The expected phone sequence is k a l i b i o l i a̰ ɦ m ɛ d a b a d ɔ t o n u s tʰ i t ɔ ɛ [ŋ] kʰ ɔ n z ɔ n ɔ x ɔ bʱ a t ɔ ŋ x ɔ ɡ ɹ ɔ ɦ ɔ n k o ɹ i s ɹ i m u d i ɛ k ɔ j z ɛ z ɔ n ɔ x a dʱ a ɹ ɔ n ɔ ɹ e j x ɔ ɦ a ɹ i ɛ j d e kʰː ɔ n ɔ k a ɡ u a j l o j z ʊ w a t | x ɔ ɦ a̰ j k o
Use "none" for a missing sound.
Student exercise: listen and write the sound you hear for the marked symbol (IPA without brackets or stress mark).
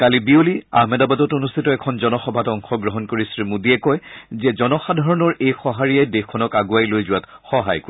none